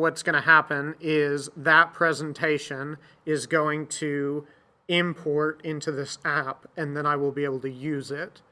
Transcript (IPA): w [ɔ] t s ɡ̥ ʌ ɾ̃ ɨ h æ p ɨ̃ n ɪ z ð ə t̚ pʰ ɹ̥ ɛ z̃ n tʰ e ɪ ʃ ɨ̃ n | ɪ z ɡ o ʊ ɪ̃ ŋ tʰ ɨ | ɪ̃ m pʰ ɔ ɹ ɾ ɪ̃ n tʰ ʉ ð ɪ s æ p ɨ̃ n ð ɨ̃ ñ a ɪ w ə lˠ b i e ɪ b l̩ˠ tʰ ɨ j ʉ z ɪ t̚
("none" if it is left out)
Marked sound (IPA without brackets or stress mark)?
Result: ʌ